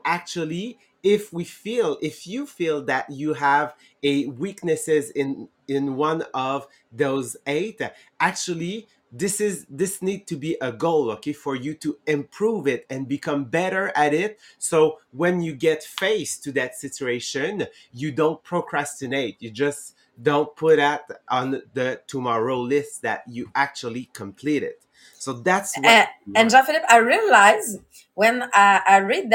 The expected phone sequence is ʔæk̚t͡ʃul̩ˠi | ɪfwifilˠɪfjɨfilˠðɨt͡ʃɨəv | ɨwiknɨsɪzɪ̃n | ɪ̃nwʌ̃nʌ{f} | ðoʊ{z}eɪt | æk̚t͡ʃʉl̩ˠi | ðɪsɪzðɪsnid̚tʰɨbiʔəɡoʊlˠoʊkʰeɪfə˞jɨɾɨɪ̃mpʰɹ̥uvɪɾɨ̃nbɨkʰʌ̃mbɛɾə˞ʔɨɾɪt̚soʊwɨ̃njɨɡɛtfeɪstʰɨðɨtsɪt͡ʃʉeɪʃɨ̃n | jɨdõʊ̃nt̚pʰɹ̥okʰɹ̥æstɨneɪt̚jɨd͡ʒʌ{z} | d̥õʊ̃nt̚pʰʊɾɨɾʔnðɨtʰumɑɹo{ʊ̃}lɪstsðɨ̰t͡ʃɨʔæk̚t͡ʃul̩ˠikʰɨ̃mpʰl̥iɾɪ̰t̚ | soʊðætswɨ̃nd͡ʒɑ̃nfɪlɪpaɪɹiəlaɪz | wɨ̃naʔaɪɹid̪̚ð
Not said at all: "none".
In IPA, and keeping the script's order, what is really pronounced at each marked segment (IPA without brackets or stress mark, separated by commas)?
v, z, s, ʊ